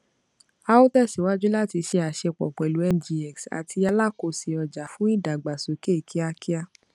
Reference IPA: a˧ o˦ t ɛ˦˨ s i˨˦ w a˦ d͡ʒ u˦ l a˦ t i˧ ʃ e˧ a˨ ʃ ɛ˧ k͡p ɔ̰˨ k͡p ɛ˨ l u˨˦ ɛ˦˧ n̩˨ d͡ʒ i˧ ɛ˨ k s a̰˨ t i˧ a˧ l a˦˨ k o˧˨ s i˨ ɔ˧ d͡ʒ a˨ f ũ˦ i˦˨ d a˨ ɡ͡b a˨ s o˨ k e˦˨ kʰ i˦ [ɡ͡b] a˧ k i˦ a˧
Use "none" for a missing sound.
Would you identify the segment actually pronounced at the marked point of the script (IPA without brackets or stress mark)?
none